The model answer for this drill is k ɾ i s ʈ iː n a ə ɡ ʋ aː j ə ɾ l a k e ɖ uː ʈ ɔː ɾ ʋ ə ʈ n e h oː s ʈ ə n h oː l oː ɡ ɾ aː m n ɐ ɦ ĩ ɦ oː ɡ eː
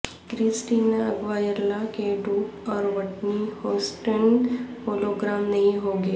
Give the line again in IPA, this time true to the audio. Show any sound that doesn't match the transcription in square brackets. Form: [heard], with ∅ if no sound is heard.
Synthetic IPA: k ɾ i s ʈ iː n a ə ɡ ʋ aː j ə ɾ l a k e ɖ uː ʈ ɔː ɾ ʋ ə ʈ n [i] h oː s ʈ ə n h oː l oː ɡ ɾ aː m n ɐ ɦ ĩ ɦ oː ɡ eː